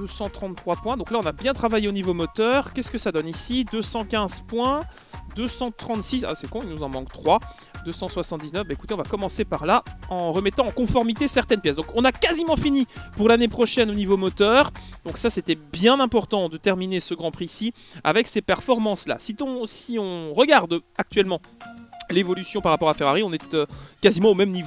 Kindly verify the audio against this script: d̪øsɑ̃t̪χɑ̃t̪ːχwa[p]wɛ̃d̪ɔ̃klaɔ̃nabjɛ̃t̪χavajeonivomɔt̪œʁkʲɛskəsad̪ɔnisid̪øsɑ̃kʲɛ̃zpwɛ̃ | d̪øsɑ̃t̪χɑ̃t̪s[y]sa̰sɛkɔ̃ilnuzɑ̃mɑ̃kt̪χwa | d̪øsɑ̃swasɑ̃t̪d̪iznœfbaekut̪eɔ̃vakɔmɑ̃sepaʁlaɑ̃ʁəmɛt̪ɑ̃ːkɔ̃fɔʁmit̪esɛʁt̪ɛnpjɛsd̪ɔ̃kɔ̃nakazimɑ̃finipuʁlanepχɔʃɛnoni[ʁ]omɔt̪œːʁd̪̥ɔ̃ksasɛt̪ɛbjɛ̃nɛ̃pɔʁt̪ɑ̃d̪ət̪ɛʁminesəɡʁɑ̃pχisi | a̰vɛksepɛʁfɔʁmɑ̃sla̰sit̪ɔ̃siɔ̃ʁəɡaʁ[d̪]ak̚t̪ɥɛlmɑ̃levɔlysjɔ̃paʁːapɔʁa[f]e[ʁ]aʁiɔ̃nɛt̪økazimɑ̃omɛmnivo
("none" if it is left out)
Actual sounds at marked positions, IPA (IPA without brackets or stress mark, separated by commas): p, i, v, d̪, f, ʁ